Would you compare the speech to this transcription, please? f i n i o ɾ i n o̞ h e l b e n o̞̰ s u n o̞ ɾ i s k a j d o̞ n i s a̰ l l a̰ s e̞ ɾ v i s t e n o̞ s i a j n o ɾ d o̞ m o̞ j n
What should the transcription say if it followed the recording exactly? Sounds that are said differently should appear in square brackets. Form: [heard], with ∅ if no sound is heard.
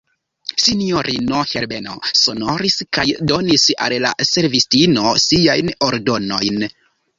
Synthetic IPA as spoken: [s] i n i o ɾ i n o̞ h e [ɾ] b e n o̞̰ s [o] n o̞ ɾ i s k a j d o̞ n i s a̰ l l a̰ s e̞ ɾ v i s t [i] n o̞ s i a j n o ɾ d o̞ [n] o̞ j n